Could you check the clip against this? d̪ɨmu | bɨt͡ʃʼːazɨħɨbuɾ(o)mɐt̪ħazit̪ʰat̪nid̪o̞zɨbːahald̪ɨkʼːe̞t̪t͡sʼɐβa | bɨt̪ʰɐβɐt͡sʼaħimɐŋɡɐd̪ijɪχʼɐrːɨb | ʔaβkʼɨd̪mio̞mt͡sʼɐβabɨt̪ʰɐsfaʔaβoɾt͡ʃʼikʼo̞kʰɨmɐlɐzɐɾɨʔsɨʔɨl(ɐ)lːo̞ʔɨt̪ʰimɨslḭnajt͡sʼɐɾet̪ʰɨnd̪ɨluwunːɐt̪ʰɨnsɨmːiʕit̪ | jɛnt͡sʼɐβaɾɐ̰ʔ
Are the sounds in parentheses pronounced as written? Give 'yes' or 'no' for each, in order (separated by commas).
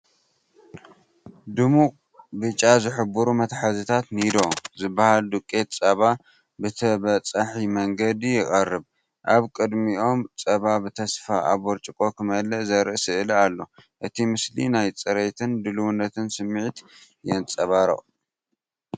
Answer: no, no